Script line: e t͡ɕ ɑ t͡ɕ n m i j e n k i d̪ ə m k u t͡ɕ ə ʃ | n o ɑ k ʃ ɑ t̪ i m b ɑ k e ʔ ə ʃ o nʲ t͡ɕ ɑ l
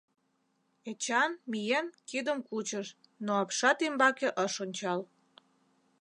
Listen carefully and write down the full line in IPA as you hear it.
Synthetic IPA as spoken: e t͡ɕ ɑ n m i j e n k i d̪ ə m k u t͡ɕ ə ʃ | n o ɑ p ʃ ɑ t̪ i m b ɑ k e ʔ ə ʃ o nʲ t͡ɕ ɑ l